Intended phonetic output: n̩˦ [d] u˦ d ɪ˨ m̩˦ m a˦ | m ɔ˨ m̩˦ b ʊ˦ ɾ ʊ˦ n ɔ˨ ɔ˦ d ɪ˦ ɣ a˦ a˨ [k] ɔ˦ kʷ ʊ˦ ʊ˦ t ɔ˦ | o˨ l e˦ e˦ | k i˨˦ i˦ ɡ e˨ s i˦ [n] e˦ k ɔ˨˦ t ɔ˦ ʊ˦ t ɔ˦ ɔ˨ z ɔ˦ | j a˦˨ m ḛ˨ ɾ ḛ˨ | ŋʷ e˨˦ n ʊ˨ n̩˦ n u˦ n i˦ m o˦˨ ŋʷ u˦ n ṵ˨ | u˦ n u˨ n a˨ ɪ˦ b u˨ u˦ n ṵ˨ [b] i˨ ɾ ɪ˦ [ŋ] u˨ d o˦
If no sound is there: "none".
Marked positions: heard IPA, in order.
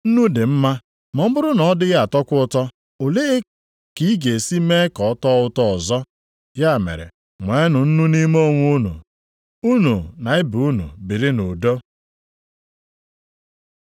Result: n, t, m, b, n

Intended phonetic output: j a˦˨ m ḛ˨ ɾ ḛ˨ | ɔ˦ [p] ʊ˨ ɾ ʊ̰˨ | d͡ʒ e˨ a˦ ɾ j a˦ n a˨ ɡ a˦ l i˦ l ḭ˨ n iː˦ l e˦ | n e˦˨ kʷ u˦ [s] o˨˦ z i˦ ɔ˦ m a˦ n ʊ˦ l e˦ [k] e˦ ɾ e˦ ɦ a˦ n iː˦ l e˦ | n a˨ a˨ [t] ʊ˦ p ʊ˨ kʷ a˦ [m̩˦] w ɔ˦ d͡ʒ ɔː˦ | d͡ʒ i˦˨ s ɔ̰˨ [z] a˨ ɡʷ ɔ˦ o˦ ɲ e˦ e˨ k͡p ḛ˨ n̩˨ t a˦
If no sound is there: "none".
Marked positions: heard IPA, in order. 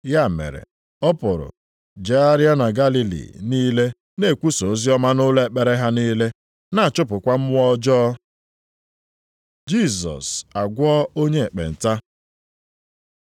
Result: p, s, k͡p, t͡ʃ, m̩˦, s

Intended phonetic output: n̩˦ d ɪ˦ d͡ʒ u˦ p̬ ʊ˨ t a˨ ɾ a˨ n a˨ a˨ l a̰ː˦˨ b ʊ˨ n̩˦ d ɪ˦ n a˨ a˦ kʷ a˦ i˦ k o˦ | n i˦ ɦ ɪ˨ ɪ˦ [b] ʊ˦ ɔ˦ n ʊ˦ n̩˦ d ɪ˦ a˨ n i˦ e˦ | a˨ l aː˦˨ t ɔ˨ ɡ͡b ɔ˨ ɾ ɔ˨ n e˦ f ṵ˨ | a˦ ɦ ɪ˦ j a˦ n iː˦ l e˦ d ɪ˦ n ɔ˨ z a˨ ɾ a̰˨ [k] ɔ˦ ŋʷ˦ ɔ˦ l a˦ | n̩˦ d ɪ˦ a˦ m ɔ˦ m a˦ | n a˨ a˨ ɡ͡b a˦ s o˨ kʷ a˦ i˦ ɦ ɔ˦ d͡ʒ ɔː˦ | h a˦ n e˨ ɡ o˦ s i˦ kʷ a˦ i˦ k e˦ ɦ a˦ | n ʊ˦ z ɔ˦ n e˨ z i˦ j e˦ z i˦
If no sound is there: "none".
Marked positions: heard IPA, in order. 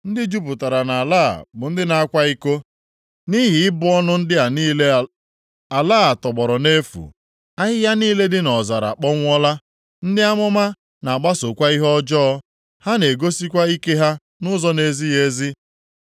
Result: b, k͡p

